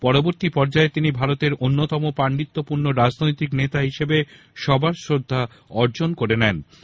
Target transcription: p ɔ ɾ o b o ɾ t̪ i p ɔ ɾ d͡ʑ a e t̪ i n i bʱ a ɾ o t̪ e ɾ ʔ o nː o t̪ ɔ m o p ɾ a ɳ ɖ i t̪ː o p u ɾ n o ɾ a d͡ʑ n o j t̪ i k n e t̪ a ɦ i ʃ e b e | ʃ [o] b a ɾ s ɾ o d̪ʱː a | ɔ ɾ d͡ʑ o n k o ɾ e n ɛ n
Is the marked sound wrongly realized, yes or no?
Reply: yes